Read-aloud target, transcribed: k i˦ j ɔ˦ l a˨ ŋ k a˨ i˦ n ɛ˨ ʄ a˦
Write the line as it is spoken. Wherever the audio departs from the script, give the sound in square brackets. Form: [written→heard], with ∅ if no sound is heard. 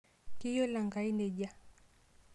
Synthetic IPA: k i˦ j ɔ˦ l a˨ ŋ [k→ɡ] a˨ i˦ n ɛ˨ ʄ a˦